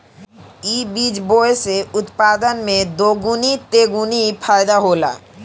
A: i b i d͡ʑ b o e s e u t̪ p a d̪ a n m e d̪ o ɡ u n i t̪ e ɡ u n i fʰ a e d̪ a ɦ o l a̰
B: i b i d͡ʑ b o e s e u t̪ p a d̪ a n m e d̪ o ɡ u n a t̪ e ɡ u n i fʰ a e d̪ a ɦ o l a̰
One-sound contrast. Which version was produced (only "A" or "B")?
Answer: A